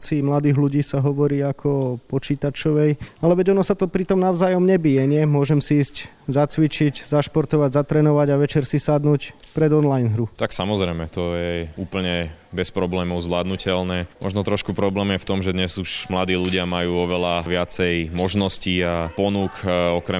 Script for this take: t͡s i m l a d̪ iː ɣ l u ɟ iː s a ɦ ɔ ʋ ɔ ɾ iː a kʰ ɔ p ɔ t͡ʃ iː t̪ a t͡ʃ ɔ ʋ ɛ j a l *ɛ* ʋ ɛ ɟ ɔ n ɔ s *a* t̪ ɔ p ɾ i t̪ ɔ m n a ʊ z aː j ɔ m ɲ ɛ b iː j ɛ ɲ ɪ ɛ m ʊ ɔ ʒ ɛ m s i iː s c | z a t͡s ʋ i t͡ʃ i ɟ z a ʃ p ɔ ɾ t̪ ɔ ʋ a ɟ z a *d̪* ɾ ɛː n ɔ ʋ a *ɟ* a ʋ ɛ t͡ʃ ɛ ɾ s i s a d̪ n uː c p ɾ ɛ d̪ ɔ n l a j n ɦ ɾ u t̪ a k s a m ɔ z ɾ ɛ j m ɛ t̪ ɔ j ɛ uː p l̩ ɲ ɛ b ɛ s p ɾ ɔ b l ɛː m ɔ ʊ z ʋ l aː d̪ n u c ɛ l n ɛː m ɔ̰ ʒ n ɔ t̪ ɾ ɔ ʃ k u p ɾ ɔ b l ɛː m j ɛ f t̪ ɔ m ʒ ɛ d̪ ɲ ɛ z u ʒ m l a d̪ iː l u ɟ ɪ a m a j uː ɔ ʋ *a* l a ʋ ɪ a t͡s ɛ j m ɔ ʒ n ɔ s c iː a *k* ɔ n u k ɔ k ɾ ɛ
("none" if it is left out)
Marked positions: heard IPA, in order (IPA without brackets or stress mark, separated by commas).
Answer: ɛ, a, t̪, ɟ, ɛ, p